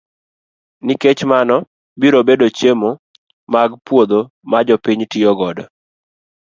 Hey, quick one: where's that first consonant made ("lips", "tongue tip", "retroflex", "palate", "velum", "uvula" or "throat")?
tongue tip